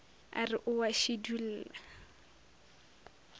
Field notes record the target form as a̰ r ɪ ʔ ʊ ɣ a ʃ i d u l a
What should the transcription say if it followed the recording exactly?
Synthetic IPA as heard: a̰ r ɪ ʔ ʊ w a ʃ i d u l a

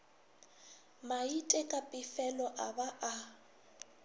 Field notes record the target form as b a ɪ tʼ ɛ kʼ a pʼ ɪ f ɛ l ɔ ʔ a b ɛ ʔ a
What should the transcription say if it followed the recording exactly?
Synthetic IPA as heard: m a i tʼ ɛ kʼ a pʼ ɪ f ɛ l ɔ ʔ a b a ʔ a

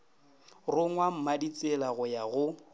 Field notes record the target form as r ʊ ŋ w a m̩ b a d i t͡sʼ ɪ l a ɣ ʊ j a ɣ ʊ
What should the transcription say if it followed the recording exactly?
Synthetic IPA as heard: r ʊ ŋ w a m̩ m a d i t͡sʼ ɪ l a ɣ ʊ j a ɣ ʊ

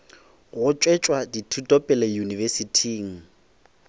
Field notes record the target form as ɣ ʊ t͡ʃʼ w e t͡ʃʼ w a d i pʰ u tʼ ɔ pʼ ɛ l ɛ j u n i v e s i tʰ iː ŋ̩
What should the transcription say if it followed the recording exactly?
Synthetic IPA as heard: ɣ ʊ t͡ʃʼ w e t͡ʃʼ w a d i tʰ u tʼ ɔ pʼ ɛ l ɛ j u n i v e s i tʰ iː ŋ̩

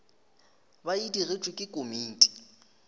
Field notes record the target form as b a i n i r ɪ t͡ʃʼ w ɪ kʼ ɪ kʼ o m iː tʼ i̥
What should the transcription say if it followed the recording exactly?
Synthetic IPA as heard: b a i d i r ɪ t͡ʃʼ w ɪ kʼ ɪ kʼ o m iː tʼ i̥

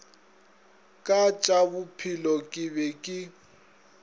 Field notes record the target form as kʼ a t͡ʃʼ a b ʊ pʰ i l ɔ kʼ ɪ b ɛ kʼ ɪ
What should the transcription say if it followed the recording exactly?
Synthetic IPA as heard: kʼ a t͡ʃʼ a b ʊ pʰ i l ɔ kʼ ɪ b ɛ kʼ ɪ

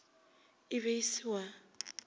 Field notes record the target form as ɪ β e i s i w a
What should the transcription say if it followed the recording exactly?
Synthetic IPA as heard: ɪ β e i s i w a

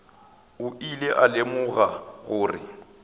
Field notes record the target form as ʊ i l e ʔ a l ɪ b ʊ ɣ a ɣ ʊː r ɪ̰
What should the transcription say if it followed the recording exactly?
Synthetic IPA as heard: ʊ i l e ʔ a l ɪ m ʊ ɣ a ɣ ʊː r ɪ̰

